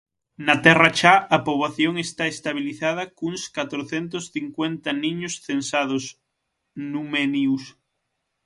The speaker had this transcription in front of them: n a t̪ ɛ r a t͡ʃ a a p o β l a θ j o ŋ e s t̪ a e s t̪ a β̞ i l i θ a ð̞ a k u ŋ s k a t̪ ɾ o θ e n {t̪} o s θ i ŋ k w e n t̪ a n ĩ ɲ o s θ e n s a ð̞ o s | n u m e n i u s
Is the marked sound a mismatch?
no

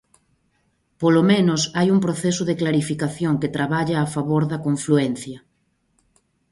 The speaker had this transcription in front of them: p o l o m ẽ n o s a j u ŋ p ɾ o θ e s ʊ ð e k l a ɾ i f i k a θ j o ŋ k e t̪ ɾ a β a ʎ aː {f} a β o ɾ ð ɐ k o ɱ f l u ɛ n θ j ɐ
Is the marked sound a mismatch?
no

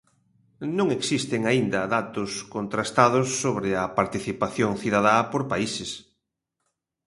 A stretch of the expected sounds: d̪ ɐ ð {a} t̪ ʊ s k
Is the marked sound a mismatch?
no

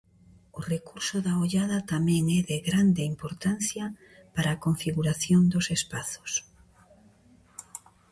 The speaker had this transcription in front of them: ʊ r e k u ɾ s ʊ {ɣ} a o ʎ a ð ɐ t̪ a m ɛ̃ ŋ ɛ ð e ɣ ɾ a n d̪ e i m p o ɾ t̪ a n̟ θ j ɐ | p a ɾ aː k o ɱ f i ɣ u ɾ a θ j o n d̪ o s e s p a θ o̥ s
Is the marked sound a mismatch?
yes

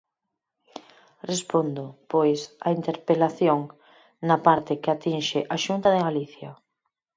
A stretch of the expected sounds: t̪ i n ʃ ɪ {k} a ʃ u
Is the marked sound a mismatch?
yes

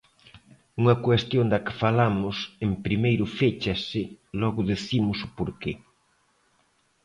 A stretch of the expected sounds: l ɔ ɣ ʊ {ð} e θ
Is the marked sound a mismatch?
no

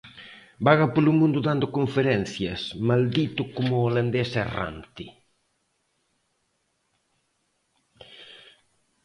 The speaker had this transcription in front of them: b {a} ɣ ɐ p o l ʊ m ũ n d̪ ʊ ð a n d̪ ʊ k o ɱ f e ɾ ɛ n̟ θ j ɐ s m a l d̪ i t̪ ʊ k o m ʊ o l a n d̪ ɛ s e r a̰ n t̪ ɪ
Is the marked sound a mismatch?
no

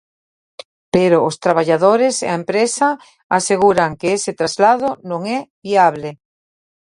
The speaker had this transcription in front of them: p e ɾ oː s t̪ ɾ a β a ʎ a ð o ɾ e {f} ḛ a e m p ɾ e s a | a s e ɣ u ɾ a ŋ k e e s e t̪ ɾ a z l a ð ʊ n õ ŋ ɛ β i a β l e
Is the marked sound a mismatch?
yes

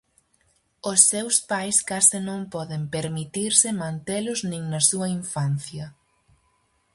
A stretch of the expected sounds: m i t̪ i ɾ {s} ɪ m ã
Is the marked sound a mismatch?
no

